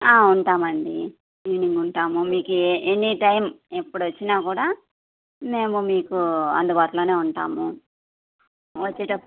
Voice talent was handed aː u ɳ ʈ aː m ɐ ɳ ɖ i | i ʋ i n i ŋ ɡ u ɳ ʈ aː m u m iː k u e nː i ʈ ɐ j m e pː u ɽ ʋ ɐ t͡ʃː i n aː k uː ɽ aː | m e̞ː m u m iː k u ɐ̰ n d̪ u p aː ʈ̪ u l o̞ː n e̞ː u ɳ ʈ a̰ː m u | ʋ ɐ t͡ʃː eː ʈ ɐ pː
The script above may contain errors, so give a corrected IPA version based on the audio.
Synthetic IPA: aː u ɳ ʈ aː m ɐ ɳ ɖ i | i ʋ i n i ŋ ɡ u ɳ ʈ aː m u m iː k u e nː i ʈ ɐ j m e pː u ɽ ʋ ɐ t͡ʃː i n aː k uː ɽ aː | m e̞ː m u m iː k u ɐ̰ n d̪ u b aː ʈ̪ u l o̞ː n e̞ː u ɳ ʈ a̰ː m u | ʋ ɐ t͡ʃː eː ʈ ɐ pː

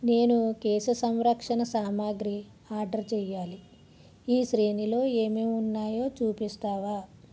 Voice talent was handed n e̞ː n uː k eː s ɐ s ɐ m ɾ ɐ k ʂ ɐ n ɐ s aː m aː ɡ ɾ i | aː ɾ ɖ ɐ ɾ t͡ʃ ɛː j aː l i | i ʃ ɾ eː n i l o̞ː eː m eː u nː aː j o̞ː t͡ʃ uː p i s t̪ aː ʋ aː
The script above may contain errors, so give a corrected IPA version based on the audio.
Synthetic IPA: n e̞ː n u k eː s ɐ s ɐ m ɾ ɐ k ʂ ɐ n ɐ s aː m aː ɡ ɾ i | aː ɾ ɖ ɐ ɾ t͡ʃ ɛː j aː l i | iː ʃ ɾ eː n i l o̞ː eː m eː u nː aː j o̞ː t͡ʃ uː p i s t̪ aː ʋ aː

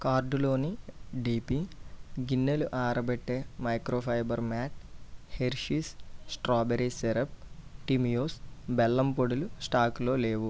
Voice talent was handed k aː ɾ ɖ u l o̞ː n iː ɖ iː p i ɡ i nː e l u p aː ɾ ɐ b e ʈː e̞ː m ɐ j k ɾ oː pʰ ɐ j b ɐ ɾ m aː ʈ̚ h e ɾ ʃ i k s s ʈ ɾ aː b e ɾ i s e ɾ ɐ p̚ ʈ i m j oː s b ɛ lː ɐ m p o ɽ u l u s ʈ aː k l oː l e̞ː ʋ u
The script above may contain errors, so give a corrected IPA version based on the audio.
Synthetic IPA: k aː ɾ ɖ u l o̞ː n i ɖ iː p i ɡ i nː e l u ʔ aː ɾ ɐ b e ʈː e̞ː m ɐ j k ɾ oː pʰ ɐ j b ɐ ɾ m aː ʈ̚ h e ɾ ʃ i s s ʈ ɾ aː b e ɾ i s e ɾ ɐ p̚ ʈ i m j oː s b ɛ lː ɐ m p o ɽ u l u s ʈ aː k l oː l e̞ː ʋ u

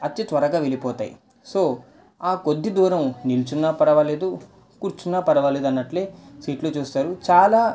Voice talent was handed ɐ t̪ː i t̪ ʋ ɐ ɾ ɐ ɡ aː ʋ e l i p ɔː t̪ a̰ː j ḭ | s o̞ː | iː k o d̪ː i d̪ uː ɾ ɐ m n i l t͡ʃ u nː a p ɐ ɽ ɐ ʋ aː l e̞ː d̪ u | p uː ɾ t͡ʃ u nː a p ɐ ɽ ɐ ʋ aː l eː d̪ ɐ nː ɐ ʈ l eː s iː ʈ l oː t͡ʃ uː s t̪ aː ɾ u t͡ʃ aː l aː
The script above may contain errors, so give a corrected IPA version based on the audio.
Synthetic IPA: ɐ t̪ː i t̪ ʋ ɐ ɾ ɐ ɡ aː ʋ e l i p ɔː t̪ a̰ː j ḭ | s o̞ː | aː k o d̪ː i d̪ uː ɾ ɐ m n i l t͡ʃ u nː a p ɐ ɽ ɐ ʋ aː l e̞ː d̪ u | k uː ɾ t͡ʃ u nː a p ɐ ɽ ɐ ʋ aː l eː d̪ ɐ nː ɐ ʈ l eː s iː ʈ l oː t͡ʃ uː s t̪ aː ɾ u t͡ʃ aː l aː

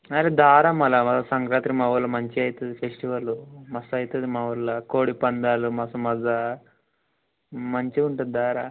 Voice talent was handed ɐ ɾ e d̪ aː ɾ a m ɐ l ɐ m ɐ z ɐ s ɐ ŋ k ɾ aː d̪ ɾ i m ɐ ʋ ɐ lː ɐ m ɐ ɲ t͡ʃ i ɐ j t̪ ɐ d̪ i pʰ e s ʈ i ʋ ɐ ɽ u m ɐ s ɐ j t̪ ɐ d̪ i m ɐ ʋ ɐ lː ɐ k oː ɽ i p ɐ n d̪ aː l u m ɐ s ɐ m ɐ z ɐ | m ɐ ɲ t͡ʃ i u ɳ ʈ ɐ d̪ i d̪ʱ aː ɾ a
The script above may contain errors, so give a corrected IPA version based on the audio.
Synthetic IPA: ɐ ɾ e d̪ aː ɾ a m ɐ l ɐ m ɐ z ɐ s ɐ ŋ k ɾ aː t̪ ɾ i m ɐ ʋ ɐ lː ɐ m ɐ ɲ t͡ʃ i ɐ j t̪ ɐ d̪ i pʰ e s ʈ i ʋ ɐ l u m ɐ s ɐ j t̪ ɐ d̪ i m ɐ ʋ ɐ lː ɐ k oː ɽ i p ɐ n d̪ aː l u m ɐ s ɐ m ɐ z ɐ | m ɐ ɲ t͡ʃ i u ɳ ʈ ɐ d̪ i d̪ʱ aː ɾ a

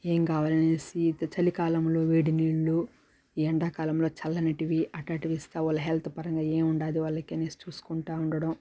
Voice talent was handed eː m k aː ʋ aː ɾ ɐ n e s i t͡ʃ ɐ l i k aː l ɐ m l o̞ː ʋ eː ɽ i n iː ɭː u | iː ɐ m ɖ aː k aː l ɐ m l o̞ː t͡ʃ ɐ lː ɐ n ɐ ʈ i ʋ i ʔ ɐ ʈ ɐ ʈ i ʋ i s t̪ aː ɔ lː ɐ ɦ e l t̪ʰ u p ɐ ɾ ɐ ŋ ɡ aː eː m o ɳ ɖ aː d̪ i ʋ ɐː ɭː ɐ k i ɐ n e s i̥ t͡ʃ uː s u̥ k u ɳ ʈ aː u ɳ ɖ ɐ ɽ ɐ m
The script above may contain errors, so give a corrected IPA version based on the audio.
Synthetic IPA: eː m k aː ʋ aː l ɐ n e s i t͡ʃ ɐ l i k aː l ɐ m l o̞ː ʋ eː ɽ i n iː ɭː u | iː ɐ ɳ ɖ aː k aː l ɐ m l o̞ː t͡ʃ ɐ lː ɐ n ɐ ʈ i ʋ i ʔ ɐ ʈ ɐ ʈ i ʋ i s t̪ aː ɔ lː ɐ ɦ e l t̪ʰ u p ɐ ɾ ɐ ŋ ɡ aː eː m u ɳ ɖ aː d̪ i ʋ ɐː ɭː ɐ k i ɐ n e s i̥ t͡ʃ uː s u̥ k u ɳ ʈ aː u ɳ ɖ ɐ ɽ ɐ m

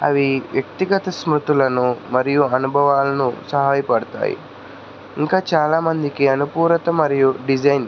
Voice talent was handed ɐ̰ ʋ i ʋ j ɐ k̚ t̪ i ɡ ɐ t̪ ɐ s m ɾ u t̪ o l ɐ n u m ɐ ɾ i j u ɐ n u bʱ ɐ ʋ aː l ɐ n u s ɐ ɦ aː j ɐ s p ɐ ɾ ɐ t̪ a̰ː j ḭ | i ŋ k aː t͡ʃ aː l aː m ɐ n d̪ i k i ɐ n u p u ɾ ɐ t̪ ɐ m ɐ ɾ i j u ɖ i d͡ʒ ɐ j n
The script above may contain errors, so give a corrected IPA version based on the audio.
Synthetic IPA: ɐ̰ ʋ i ʋ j ɐ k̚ t̪ i ɡ ɐ t̪ ɐ s m ɾ u t̪ u l ɐ n u m ɐ ɾ i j u ɐ n u bʱ ɐ ʋ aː l ɐ n u s ɐ ɦ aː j ɐ p ɐ ɽ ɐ t̪ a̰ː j ḭ | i ŋ k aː t͡ʃ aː l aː m ɐ n d̪ i k i ɐ n u p uː ɾ ɐ t̪ ɐ m ɐ ɾ i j u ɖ i d͡ʒ ɐ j n

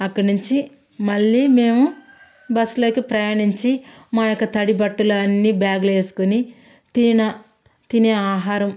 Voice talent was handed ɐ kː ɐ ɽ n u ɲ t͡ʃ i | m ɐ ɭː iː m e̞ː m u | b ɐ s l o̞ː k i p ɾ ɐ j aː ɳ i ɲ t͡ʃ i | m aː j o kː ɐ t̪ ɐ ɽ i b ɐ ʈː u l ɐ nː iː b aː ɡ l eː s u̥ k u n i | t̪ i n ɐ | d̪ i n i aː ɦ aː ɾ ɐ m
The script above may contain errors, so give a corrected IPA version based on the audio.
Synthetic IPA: ɐ kː ɐ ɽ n u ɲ t͡ʃ i | m ɐ ɭː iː m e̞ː m u | b ɐ s l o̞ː k i p ɾ ɐ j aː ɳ i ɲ t͡ʃ i | m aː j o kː ɐ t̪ ɐ ɽ i b ɐ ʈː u l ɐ nː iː b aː ɡ l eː s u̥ k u n i | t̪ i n ɐ | t̪ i n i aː ɦ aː ɾ ɐ m

